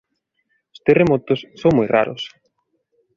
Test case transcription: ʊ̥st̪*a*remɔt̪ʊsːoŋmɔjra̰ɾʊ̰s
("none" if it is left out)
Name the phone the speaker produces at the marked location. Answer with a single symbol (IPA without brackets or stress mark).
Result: e